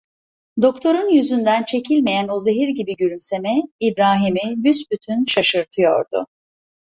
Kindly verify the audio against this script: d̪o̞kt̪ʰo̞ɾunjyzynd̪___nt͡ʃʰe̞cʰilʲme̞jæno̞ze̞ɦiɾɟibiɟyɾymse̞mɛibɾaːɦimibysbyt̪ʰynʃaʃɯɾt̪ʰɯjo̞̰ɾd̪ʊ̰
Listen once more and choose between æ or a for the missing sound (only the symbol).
æ